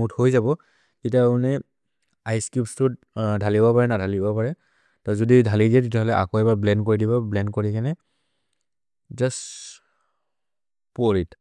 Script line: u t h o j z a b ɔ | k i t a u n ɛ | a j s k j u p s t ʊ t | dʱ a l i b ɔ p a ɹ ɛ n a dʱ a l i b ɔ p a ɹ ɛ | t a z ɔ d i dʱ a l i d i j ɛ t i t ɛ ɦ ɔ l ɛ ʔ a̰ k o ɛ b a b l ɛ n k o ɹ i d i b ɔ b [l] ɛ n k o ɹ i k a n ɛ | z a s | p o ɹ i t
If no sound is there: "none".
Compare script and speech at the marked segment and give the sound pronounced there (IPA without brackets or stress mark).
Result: l